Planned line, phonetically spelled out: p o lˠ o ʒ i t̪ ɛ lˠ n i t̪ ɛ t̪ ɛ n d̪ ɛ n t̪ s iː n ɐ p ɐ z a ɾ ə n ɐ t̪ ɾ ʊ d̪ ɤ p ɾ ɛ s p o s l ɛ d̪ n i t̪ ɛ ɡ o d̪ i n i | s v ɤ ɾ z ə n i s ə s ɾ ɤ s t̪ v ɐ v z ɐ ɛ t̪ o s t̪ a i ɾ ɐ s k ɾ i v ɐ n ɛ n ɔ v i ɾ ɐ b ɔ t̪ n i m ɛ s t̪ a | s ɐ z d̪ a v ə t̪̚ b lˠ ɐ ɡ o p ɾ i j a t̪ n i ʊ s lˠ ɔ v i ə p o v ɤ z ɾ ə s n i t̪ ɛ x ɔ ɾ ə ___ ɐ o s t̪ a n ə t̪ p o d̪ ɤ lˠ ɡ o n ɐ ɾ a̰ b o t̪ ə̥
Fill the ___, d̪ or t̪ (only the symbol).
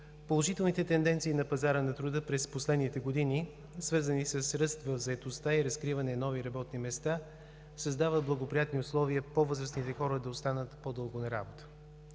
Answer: d̪